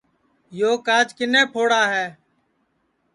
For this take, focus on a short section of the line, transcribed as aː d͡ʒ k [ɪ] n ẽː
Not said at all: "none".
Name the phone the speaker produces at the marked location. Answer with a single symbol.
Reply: ɪ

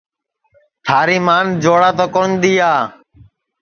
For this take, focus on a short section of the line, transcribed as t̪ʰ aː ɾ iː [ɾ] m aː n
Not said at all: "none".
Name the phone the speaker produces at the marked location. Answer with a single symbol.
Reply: none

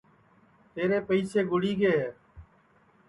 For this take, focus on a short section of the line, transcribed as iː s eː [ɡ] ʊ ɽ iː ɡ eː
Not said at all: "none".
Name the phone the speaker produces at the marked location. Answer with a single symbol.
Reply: ɡ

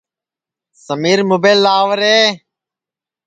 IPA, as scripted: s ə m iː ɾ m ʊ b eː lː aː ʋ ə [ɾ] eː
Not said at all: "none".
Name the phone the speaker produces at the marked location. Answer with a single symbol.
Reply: ɾ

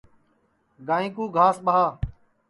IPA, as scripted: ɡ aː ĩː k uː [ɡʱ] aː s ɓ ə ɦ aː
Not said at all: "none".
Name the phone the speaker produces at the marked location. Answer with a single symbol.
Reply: ɡʱ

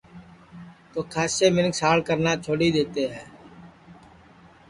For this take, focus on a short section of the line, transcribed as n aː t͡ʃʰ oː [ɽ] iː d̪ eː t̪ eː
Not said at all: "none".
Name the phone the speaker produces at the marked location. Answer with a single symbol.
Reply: ɽ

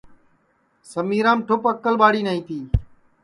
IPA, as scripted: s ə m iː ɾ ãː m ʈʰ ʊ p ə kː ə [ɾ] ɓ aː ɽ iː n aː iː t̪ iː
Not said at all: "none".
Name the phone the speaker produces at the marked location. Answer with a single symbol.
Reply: l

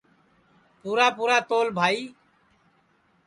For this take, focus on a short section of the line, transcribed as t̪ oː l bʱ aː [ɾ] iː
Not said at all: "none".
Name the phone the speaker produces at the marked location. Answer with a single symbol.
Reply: none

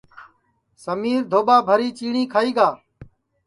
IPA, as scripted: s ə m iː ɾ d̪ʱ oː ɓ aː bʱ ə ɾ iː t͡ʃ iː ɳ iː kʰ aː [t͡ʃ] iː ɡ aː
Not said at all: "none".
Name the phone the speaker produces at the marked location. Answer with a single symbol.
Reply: none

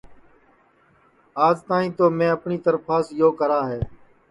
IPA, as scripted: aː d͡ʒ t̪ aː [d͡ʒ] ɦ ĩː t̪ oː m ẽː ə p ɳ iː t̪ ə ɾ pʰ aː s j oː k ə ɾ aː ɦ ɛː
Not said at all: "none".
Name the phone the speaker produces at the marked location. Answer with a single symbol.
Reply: none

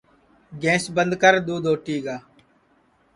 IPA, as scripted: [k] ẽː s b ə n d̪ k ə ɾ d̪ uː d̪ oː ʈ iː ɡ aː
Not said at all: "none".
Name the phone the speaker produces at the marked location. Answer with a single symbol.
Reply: ɡ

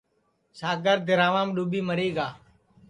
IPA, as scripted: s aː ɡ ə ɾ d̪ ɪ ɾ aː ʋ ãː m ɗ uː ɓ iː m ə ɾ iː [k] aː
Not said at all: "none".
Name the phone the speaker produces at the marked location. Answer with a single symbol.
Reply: ɡ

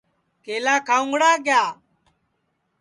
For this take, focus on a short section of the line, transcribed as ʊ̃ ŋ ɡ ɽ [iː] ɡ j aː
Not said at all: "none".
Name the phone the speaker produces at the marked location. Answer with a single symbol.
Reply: aː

